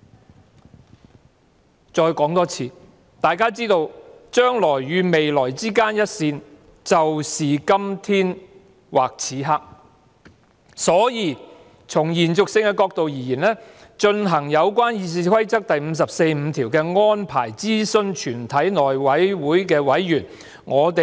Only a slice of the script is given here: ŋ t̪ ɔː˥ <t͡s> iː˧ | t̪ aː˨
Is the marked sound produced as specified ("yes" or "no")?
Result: no